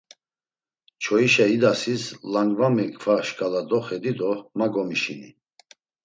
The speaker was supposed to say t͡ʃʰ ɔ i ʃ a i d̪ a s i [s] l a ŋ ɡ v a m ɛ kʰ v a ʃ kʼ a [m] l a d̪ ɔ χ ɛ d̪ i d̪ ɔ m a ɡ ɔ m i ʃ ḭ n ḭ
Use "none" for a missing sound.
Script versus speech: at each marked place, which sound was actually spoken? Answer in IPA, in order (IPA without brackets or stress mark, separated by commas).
s, none